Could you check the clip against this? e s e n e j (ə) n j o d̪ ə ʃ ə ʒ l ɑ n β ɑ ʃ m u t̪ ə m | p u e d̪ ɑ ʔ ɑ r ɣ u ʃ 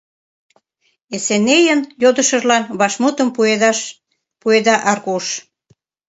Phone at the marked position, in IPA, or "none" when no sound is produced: ə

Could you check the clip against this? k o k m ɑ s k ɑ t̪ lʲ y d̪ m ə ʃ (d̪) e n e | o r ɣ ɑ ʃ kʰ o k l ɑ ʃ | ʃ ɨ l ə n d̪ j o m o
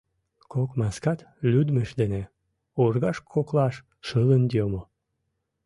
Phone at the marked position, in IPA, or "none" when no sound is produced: d̪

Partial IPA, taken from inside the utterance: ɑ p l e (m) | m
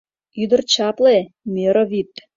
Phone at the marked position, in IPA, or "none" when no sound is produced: none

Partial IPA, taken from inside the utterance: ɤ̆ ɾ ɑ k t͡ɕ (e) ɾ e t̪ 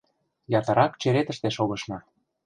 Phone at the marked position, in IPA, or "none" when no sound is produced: e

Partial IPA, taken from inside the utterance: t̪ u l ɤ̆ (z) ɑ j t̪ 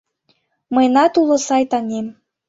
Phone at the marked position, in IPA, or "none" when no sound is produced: s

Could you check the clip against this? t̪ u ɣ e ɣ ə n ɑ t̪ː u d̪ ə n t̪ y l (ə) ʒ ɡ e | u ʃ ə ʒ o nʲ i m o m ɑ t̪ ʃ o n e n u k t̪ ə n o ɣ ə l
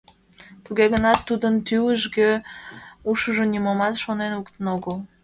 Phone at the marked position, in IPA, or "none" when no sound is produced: ə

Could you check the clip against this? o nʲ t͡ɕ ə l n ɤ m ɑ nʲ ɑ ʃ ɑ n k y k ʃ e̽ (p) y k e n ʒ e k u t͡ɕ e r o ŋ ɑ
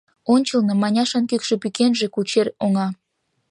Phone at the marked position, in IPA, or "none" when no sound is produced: p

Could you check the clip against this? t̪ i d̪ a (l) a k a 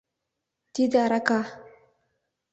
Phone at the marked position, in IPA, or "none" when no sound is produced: ɾ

